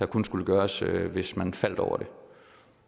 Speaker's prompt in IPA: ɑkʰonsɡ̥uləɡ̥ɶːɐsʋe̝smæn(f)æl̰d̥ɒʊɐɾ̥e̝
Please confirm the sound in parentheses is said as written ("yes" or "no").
yes